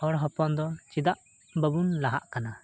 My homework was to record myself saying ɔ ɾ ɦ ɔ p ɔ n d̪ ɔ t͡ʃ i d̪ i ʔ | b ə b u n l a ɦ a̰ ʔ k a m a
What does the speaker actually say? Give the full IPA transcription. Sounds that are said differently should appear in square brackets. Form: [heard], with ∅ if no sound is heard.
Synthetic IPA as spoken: ɔ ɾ ɦ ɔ p ɔ n d̪ ɔ t͡ʃ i d̪ [a] ʔ | b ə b u n l a ɦ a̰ ʔ k a [n] a